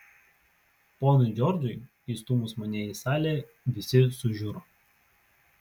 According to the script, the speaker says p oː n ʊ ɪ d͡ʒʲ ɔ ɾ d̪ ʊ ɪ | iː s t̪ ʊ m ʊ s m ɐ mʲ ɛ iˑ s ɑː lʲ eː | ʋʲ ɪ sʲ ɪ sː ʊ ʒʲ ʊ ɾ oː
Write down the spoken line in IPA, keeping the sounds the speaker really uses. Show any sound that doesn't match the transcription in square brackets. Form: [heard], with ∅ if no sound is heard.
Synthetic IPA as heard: p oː n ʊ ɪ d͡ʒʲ ɔ ɾ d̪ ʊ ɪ | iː s t̪ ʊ m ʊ s m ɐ [nʲ] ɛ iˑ s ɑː lʲ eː | ʋʲ ɪ sʲ ɪ [s] ʊ ʒʲ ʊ ɾ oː